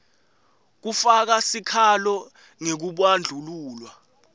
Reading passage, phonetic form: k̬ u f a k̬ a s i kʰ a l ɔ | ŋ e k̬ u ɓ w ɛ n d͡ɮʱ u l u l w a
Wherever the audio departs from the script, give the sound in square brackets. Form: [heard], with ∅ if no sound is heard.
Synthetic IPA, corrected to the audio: k̬ u f a k̬ a s i kʰ a l ɔ | ŋ e k̬ u ɓ w [a] n d͡ɮʱ u l [uː] l w a